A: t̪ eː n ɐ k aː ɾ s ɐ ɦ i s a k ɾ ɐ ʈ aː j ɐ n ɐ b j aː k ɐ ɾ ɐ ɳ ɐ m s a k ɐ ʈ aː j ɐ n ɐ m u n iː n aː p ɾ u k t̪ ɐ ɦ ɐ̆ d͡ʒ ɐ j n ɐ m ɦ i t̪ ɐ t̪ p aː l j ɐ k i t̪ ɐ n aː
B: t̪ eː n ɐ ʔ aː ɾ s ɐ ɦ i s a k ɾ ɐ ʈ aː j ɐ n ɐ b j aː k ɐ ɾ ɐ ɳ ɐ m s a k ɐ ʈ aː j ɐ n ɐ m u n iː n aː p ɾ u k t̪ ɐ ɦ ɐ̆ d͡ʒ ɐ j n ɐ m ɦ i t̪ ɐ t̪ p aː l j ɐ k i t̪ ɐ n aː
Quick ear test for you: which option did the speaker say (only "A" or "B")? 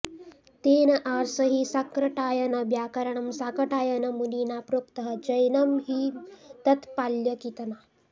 B